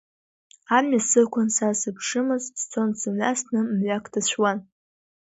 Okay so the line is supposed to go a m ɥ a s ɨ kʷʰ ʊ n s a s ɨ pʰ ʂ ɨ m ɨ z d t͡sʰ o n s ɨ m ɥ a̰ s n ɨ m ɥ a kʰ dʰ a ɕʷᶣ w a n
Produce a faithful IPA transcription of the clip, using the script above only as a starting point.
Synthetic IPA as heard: a m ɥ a s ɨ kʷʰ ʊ n s a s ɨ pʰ ʂ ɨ m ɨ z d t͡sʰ o n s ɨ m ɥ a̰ s n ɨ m ɥ a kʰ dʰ a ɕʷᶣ w a n